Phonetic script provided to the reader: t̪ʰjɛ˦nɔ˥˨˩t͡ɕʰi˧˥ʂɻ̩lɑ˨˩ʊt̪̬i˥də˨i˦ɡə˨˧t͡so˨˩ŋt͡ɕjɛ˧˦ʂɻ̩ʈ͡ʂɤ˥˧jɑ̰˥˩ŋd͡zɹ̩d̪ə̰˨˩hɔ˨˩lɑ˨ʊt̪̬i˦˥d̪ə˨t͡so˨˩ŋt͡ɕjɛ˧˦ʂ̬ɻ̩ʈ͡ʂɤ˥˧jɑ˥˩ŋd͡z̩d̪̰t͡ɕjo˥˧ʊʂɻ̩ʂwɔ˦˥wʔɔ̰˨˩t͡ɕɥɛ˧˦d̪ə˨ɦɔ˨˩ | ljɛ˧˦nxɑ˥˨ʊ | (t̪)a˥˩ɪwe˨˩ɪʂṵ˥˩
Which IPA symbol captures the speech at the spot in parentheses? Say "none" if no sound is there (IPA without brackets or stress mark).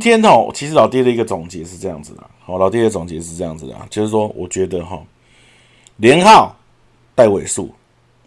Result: t̪